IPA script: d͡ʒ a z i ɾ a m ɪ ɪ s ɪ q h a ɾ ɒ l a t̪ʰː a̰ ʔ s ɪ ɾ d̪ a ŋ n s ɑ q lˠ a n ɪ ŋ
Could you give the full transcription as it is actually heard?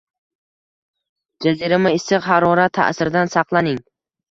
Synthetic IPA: d͡ʒ a z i ɾ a m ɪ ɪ s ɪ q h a ɾ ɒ ɾ a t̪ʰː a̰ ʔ s ɪ ɾ d̪ a n s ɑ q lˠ a n ɪ ŋ